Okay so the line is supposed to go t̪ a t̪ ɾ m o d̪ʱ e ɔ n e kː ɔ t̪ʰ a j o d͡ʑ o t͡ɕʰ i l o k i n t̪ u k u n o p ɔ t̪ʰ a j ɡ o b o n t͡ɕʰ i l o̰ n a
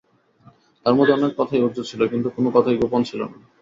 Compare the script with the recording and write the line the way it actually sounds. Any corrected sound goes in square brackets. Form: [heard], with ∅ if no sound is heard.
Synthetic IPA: t̪ a [∅] ɾ m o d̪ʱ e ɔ n e kː ɔ t̪ʰ a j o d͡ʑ o t͡ɕʰ i l o k i n t̪ u k [o] n o [k] ɔ t̪ʰ a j ɡ o [p] o n t͡ɕʰ i l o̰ n a